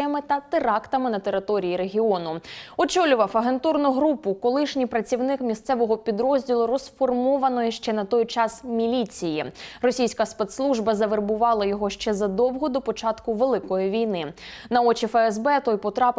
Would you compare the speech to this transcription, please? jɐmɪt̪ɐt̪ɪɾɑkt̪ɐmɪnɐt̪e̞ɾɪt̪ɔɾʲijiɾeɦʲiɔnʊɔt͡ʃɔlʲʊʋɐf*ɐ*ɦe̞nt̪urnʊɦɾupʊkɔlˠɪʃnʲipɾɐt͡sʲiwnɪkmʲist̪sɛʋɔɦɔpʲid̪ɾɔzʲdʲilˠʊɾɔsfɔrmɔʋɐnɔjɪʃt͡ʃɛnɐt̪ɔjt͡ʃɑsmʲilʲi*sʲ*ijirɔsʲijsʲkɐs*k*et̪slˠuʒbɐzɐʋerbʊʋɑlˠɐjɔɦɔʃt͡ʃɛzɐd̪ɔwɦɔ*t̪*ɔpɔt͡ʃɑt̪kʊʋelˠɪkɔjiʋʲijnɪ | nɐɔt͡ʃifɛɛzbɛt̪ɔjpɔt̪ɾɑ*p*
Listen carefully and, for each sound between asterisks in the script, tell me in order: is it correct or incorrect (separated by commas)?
correct, incorrect, incorrect, incorrect, correct